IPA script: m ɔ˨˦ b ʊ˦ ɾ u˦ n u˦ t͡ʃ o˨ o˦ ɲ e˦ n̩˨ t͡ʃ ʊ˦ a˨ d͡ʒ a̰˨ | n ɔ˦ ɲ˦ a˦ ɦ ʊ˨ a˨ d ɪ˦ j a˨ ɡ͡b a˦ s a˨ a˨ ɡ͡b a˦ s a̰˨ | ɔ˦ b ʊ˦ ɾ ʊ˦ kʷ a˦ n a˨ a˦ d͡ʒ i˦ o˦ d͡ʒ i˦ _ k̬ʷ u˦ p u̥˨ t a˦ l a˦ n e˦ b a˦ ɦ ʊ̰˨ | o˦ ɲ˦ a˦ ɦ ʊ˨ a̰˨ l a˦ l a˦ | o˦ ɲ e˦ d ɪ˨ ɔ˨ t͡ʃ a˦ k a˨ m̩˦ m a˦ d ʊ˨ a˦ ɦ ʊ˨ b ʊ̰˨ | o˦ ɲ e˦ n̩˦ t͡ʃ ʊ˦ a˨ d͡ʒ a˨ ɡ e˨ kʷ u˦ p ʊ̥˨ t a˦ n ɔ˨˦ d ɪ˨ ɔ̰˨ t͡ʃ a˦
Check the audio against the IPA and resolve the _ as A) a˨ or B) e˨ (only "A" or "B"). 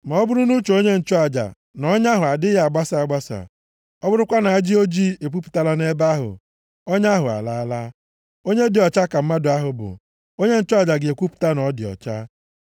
B